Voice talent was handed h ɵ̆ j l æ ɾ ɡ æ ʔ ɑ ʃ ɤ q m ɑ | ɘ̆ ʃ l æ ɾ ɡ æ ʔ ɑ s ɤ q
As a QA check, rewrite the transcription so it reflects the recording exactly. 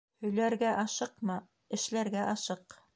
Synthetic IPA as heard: h ɵ̆ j l æ ɾ ɡ æ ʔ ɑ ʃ ɤ q m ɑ | ɘ̆ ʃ l æ ɾ ɡ æ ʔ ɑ ʃ ɤ q